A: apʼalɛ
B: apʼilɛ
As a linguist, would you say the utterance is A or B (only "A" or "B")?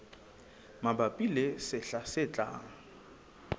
B